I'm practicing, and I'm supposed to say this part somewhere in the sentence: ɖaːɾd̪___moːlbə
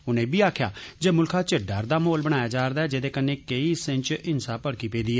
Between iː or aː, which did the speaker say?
aː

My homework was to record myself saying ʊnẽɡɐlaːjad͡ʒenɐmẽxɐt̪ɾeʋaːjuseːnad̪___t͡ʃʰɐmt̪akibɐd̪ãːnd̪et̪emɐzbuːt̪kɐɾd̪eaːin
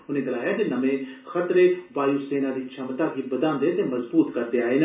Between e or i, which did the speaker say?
i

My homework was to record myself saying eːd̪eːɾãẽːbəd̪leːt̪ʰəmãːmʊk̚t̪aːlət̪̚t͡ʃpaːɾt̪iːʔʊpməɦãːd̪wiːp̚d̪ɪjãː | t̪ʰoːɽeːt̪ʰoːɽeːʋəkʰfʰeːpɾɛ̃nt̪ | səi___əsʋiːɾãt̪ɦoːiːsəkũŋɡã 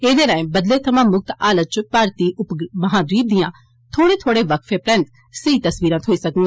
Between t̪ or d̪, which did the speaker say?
t̪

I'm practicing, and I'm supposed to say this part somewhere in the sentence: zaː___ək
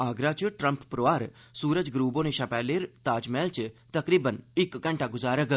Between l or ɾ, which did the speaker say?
ɾ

